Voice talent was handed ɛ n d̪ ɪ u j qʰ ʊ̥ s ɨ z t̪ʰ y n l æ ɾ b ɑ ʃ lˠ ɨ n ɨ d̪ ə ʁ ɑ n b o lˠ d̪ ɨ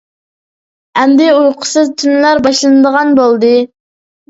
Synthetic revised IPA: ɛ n d̪ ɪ u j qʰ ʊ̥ s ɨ z t̪ʰ y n l æ ɾ b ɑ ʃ lˠ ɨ n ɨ d̪ ə ʁ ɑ n b o lˠ d̪ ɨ